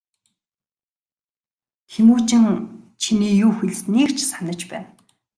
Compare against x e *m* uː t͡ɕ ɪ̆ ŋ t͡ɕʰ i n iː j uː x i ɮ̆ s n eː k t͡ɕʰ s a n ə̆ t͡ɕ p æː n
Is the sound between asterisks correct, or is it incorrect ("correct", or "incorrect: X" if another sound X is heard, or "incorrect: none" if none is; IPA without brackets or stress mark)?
correct